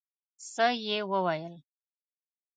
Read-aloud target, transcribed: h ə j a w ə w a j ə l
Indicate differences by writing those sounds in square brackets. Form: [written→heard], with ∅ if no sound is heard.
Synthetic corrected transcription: [h→s] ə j [a→e] w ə w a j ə l